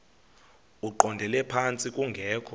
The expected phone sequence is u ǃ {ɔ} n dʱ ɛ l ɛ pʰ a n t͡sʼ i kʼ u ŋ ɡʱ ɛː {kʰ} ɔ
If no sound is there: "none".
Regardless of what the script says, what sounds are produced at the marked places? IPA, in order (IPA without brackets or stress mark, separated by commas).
ɔ, kʰ